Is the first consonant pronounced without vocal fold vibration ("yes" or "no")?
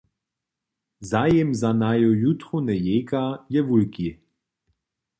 no